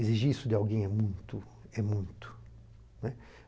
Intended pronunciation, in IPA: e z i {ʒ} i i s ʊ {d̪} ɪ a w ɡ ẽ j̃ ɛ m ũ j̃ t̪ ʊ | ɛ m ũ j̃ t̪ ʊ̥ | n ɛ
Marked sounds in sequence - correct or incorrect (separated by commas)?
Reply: correct, correct